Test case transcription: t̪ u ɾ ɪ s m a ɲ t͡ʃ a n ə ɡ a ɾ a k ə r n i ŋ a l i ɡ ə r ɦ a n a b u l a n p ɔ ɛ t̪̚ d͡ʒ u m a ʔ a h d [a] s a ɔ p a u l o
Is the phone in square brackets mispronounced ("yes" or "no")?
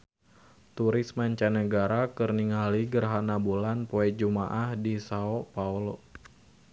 yes